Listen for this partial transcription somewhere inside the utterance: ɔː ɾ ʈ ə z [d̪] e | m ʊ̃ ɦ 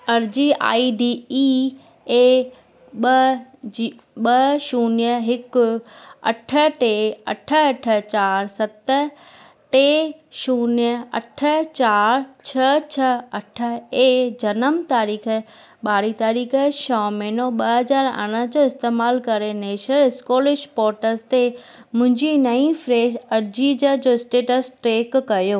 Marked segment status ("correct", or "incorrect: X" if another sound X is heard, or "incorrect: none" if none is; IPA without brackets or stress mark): incorrect: t̪